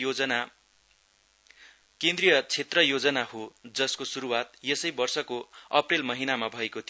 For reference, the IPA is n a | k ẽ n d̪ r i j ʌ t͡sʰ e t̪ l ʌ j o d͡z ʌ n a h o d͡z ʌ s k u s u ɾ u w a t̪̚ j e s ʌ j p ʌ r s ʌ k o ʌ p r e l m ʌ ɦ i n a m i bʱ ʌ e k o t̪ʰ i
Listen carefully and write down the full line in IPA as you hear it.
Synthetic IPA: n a | k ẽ n d̪ r i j ʌ t͡sʰ e t̪ r ʌ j o d͡z ʌ n a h o d͡z ʌ s k o s u ɾ u w a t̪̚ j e s ʌ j b ʌ r s ʌ k o ʌ p r e l m ʌ ɦ i n a m a bʱ ʌ e k o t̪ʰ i